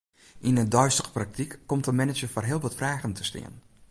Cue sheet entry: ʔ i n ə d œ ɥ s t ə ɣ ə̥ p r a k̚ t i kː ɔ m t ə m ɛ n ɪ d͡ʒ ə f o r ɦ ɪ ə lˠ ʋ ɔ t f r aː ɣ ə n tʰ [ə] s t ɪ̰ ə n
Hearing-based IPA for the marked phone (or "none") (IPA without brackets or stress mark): ə